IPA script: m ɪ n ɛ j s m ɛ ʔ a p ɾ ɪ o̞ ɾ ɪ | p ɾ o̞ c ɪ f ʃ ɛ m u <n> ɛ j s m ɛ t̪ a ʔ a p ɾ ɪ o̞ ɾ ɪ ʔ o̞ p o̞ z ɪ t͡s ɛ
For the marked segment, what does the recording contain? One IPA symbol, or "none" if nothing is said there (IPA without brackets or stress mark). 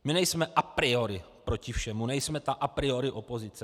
n